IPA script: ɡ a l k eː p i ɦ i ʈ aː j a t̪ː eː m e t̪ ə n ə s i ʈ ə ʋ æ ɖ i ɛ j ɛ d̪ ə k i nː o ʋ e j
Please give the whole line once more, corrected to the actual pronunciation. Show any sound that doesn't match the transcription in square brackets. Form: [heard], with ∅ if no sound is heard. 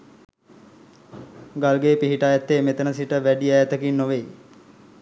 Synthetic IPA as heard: ɡ a l [ɡ] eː p i ɦ i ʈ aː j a t̪ː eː m e t̪ ə n ə s i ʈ ə ʋ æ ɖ i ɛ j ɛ [t̪] ə k i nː o ʋ e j